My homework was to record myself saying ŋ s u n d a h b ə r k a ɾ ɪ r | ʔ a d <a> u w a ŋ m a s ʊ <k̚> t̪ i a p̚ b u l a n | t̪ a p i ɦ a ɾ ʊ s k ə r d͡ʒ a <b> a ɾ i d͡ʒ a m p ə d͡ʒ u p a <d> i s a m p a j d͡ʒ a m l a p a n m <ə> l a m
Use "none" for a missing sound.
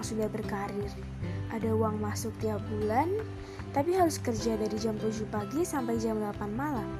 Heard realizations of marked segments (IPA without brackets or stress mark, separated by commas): a, k̚, d, ɡ, a